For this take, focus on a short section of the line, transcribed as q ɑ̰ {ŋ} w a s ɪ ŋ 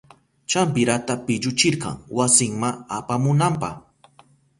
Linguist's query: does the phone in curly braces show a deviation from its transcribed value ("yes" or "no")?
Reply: no